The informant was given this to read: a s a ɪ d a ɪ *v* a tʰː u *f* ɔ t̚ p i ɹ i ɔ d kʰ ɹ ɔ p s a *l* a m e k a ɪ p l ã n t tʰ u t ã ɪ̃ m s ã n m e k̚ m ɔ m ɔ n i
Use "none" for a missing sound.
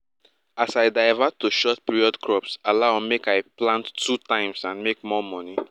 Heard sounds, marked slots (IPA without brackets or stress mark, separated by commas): v, ʃ, l